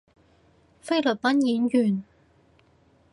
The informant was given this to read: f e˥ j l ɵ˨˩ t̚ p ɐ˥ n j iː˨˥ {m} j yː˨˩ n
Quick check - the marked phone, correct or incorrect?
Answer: incorrect: n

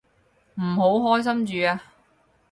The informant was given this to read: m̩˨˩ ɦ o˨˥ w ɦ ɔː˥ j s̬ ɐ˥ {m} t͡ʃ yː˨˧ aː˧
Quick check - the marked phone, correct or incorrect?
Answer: correct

